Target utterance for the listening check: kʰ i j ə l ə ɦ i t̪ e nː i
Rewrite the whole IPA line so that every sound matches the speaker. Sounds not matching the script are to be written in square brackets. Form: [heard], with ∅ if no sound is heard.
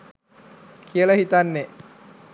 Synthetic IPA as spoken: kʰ i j ə l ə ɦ i t̪ [a] nː [e]